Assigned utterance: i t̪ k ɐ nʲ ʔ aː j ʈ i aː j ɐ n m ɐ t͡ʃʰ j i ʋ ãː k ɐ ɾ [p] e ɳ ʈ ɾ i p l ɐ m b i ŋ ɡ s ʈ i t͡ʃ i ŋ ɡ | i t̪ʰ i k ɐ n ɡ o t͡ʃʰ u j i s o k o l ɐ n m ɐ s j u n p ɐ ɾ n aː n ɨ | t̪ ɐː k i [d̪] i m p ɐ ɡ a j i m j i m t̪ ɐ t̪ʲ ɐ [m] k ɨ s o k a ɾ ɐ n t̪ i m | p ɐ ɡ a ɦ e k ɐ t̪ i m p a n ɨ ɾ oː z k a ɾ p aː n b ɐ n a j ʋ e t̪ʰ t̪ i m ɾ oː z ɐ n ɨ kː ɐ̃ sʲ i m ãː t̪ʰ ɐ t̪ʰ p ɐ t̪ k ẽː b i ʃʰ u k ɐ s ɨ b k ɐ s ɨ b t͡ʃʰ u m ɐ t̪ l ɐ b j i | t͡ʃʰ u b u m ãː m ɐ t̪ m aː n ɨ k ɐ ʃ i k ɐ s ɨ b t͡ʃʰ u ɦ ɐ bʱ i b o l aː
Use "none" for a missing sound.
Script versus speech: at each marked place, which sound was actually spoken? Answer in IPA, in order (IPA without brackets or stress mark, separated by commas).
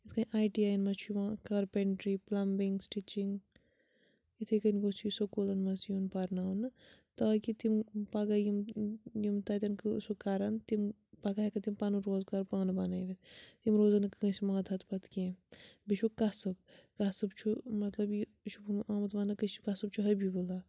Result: p, t̪, n